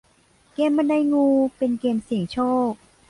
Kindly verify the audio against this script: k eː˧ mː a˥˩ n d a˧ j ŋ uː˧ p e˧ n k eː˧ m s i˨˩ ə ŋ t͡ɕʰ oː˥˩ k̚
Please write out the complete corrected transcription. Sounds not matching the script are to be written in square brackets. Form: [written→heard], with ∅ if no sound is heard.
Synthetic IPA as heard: k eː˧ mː [a˥˩→a˧] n d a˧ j ŋ uː˧ p e˧ n k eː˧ m s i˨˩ ə ŋ t͡ɕʰ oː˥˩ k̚